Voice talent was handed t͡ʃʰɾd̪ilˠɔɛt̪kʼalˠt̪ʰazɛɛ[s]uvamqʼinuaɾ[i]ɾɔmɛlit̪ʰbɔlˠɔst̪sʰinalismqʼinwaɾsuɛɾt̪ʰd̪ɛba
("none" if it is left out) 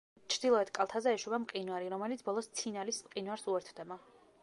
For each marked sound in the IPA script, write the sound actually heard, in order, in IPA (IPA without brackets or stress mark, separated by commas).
ʃ, i